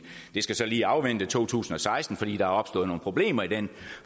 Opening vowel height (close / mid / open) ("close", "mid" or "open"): mid